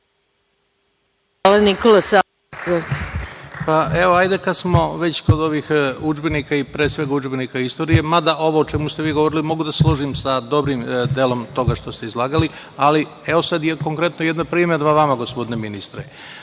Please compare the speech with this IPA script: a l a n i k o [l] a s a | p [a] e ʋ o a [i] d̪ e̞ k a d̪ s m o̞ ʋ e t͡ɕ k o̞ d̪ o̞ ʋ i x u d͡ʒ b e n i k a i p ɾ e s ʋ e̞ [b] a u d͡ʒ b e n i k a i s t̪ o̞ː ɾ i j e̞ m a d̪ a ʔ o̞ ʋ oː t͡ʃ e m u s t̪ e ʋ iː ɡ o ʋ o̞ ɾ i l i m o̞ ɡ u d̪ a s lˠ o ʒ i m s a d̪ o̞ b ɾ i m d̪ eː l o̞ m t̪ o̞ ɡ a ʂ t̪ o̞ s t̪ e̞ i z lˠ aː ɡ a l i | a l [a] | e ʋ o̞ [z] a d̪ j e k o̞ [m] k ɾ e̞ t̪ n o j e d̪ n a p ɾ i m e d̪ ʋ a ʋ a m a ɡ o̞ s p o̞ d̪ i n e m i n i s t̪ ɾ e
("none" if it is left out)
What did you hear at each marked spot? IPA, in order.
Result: l, a, j, ɡ, i, s, ŋ

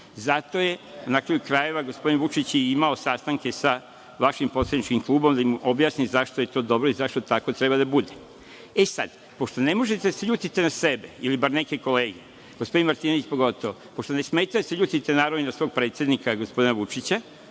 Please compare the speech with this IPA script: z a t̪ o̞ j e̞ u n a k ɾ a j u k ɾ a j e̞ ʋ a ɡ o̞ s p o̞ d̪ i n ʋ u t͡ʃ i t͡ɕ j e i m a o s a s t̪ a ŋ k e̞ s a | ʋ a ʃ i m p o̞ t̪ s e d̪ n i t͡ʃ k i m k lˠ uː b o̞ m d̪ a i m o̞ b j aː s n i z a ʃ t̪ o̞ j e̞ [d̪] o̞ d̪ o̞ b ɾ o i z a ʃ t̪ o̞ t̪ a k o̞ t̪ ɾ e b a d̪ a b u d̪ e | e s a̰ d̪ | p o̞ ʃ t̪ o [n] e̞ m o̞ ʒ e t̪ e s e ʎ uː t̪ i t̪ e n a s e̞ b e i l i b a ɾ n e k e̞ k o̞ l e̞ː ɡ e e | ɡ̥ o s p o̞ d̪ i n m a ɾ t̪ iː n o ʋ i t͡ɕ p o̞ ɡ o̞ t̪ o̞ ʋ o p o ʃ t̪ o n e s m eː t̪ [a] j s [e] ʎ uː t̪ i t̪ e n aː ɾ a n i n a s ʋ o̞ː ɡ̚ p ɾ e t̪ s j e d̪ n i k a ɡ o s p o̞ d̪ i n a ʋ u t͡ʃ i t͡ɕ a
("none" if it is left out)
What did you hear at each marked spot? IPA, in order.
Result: t̪, n, a, e

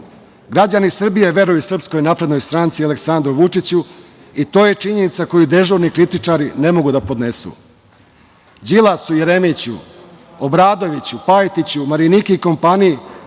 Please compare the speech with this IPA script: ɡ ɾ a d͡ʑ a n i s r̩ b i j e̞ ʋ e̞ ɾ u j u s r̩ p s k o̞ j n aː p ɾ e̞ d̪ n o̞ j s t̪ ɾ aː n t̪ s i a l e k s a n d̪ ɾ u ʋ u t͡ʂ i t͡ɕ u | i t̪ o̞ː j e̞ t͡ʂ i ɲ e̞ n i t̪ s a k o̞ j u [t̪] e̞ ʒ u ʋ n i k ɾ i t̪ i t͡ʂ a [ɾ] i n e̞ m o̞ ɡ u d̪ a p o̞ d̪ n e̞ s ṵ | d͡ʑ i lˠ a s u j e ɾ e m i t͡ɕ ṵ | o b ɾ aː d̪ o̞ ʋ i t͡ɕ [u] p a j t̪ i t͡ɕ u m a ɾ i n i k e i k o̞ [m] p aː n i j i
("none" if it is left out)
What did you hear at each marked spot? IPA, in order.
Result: d̪, ɾ, u, m

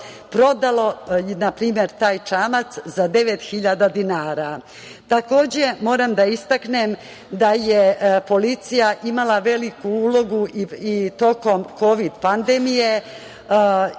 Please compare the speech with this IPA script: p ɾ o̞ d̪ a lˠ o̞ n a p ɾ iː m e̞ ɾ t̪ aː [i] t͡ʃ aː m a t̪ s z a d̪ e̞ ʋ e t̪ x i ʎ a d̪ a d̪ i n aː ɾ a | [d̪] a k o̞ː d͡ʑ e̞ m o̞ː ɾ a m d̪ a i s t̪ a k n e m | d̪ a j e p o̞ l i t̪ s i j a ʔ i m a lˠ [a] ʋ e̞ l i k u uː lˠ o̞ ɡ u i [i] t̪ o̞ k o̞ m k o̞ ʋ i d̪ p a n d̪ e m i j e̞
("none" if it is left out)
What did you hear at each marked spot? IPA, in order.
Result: j, t̪, a, i

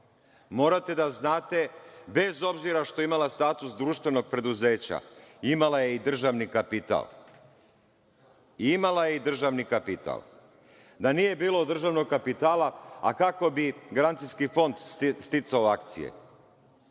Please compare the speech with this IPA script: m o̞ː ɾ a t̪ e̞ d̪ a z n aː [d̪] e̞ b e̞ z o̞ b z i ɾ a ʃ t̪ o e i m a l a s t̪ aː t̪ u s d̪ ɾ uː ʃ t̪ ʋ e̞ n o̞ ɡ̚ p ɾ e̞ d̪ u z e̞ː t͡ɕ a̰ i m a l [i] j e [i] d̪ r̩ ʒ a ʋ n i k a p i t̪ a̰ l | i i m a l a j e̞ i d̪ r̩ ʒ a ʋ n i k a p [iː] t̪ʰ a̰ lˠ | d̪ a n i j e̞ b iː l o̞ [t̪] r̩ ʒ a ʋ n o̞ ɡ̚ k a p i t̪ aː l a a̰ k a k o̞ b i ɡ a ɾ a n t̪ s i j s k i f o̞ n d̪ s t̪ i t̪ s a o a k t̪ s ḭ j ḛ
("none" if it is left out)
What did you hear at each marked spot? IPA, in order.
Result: t̪, a, i, i, d̪

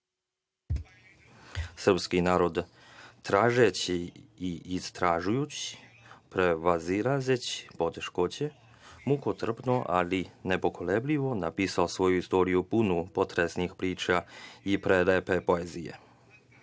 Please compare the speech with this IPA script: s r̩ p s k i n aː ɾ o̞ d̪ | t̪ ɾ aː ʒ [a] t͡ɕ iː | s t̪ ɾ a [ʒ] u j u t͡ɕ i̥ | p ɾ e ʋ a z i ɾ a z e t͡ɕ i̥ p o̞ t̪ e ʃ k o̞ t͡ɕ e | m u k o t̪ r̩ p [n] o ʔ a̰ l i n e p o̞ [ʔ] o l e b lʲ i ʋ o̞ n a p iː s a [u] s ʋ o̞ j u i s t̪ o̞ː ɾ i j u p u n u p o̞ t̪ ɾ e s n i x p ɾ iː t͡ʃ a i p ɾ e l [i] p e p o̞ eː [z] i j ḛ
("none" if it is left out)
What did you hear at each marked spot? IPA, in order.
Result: e, ʒ, n, k, o, e, z

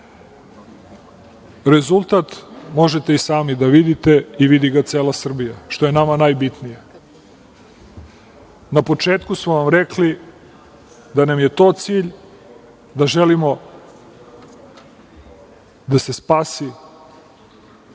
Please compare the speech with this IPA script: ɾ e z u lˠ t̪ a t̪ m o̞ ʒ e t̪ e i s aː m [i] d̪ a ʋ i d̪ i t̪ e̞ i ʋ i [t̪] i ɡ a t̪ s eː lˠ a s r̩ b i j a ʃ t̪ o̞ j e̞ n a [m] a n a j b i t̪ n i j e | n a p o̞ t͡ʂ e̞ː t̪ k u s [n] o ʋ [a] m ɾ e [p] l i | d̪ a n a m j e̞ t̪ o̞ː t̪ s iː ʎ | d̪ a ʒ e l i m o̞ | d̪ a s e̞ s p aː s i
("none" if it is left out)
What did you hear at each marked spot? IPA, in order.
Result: i, d̪, m, m, a, k

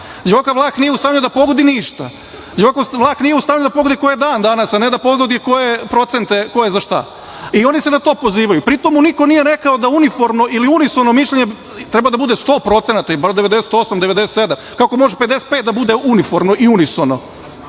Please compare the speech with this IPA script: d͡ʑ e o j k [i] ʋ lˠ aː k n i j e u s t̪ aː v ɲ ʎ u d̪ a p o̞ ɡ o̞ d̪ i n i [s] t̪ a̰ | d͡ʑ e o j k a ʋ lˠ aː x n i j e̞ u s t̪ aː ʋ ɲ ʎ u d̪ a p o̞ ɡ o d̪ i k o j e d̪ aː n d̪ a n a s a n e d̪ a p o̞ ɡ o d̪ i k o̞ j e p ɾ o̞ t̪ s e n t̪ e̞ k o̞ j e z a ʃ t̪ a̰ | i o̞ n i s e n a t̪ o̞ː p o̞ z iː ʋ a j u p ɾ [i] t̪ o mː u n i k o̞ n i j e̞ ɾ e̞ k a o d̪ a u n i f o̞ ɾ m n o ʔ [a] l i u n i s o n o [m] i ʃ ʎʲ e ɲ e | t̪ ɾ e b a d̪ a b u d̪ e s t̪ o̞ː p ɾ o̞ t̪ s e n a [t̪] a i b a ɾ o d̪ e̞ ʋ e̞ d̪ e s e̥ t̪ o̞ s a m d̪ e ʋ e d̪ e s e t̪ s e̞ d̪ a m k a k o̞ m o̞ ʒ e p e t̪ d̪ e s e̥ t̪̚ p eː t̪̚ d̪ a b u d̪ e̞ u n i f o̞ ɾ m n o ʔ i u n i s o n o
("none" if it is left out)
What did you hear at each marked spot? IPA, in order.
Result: a, ʃ, i, i, m, t̪

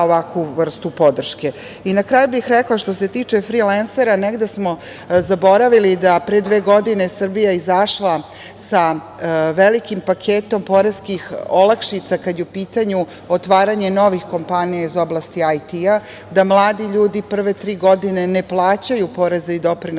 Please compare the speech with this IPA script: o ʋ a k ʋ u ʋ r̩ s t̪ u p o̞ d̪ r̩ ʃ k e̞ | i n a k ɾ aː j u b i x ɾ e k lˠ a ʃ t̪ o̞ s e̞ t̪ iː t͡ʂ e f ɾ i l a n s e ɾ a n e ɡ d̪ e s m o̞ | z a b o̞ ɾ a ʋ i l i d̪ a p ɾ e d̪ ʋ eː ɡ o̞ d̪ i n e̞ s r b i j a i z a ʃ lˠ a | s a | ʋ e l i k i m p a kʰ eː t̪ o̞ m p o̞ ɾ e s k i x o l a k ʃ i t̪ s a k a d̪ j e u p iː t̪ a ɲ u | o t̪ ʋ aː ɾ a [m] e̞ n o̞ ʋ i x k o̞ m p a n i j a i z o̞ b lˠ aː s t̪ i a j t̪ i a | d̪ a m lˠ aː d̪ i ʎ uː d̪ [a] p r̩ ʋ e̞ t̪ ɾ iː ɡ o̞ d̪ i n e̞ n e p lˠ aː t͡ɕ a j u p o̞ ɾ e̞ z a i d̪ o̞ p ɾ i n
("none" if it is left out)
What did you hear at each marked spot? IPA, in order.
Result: ɲ, i

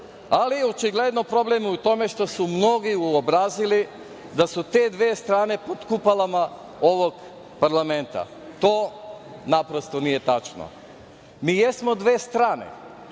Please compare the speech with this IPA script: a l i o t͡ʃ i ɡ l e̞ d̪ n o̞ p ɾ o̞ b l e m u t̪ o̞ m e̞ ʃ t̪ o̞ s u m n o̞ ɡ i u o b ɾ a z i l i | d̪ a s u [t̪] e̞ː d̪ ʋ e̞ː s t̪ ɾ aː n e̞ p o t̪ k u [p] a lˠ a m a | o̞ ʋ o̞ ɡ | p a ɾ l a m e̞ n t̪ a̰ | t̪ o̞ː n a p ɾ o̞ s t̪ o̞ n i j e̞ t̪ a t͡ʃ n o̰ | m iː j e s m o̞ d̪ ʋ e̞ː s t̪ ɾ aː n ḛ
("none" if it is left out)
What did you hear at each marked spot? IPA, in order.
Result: t̪, p

